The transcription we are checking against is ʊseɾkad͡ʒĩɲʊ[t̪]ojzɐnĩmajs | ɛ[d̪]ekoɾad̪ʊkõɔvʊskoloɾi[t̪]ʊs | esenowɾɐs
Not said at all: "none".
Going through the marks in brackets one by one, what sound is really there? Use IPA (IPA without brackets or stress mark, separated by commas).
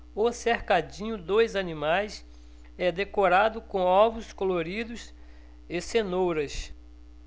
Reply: d̪, d̪, d̪